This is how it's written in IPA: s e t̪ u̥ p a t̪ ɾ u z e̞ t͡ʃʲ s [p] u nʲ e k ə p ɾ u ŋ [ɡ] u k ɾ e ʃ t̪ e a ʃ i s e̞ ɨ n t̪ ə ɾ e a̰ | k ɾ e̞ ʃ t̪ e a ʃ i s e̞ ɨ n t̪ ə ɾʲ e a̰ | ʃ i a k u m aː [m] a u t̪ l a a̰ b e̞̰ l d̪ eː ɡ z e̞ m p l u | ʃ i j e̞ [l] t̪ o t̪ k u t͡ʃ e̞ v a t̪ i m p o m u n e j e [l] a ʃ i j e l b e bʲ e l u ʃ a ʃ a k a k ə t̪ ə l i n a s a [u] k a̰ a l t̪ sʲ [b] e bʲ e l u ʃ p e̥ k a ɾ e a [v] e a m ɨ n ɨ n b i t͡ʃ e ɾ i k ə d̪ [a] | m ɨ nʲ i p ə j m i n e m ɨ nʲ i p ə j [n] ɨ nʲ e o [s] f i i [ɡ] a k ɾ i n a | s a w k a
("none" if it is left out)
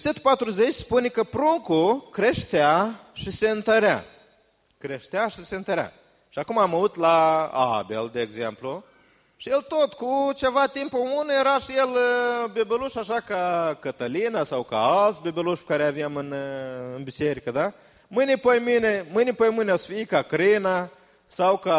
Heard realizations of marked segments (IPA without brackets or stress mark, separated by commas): p, k, m, l, ɾ, w, b, v, a, m, s, k